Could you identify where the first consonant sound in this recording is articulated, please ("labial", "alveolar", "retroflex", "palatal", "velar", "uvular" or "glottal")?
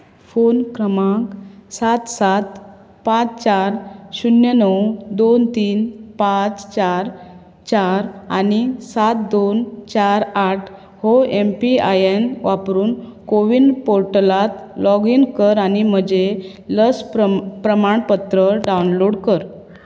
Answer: labial